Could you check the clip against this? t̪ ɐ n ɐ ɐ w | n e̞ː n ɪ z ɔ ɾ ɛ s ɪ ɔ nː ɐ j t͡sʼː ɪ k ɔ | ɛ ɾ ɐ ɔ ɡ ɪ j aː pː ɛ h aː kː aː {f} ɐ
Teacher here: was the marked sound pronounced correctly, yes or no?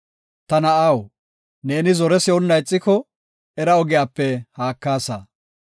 no